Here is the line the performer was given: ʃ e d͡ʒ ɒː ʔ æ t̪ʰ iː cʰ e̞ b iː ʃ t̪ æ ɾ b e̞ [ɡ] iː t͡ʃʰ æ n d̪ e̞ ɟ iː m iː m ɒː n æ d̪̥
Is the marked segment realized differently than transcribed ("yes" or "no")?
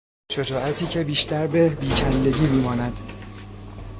yes